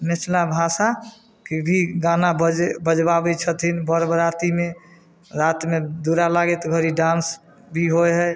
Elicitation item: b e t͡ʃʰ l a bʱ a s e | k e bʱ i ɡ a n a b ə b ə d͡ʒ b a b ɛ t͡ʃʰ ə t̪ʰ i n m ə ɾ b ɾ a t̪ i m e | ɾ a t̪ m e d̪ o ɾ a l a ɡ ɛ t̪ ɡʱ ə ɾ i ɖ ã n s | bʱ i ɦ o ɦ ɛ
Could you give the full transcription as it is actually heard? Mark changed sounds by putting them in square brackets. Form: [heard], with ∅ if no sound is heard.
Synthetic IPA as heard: [m] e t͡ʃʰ l a bʱ a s [a] | k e bʱ i ɡ a n a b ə b ə d͡ʒ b a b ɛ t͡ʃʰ ə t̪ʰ i n [b] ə ɾ b ɾ a t̪ i m e | ɾ a t̪ m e d̪ [u] ɾ a l a ɡ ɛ t̪ ɡʱ ə ɾ i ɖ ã n s | bʱ i ɦ o ɦ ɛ